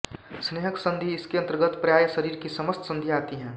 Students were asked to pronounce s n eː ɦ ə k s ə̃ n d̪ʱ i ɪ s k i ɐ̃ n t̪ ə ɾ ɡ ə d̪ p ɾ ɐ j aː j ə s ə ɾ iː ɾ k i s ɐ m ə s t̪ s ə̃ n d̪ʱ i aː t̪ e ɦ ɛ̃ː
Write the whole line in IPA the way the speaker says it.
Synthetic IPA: s n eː ɦ ə k s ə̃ n d̪ʱ i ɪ s k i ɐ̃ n t̪ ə ɾ ɡ ə t̪ p ɾ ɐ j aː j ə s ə ɾ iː ɾ k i s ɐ m ə s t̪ s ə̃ n d̪ʱ i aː t̪ i ɦ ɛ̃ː